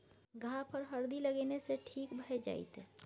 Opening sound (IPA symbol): ɡʱ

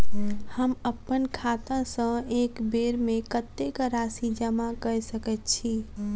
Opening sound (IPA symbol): h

